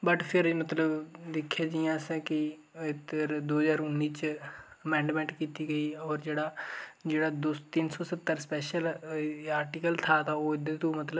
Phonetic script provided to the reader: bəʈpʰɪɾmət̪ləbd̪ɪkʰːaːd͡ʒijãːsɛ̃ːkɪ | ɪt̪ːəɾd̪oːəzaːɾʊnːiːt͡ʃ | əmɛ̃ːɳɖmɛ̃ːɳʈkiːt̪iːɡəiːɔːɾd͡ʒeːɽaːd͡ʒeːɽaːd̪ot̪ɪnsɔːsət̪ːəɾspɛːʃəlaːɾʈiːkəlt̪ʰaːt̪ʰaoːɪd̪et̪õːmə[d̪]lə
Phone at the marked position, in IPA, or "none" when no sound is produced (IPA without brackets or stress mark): t̪